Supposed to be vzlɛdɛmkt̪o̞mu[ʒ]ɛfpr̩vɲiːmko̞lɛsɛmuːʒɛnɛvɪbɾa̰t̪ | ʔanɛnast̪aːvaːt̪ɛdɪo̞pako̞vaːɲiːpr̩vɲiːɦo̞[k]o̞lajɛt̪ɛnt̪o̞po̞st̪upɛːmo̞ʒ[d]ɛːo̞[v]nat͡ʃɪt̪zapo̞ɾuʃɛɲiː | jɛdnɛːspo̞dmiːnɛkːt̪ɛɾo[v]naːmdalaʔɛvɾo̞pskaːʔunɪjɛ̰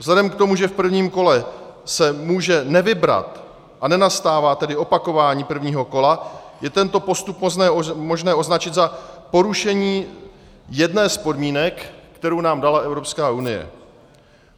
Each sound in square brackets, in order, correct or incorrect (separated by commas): correct, correct, incorrect, incorrect, incorrect